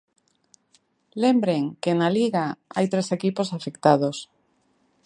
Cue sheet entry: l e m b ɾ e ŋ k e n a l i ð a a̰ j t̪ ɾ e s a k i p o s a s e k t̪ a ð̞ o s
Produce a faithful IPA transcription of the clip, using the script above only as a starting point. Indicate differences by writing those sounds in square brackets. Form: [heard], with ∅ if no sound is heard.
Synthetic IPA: l e m b ɾ e ŋ k e n a l i [ɣ] a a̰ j t̪ ɾ e s [e] k i p o s a [f] e k t̪ a ð̞ o s